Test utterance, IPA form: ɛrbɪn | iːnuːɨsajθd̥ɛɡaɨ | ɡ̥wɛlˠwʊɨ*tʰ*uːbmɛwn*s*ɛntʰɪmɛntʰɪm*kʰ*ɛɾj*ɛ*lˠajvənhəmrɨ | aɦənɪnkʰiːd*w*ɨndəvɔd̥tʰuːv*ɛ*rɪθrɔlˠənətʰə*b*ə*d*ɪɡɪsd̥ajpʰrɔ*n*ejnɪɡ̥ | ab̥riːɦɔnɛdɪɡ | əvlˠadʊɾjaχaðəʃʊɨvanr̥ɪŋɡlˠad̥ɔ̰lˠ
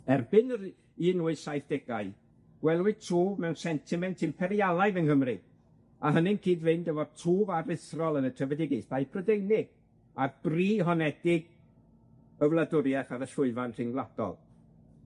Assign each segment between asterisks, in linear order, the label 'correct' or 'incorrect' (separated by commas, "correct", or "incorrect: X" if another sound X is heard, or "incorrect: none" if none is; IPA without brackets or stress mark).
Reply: correct, correct, incorrect: pʰ, incorrect: a, incorrect: v, incorrect: a, incorrect: v, correct, incorrect: d